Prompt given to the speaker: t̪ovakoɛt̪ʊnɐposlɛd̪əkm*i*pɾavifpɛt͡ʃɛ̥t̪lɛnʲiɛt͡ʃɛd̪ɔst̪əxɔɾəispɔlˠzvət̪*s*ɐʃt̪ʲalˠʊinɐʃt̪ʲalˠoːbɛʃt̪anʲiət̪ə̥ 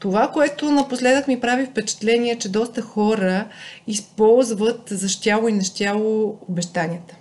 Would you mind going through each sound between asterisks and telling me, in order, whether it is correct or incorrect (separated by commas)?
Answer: correct, incorrect